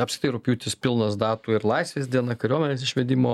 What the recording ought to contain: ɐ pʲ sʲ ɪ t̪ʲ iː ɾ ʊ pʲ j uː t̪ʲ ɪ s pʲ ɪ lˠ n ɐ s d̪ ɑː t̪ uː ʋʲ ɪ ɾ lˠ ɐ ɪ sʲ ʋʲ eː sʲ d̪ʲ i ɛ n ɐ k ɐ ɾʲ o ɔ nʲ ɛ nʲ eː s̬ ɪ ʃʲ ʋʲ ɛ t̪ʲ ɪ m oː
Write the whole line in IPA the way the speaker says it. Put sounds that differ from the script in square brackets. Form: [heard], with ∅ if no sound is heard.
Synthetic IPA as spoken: ɐ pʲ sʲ ɪ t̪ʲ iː ɾ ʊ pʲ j uː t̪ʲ ɪ s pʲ ɪ lˠ n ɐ s d̪ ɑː t̪ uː [∅] ɪ ɾ lˠ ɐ ɪ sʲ ʋʲ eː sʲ d̪ʲ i ɛ n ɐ k ɐ ɾʲ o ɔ [mʲ] ɛ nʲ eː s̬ ɪ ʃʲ ʋʲ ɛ [d̪ʲ] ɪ m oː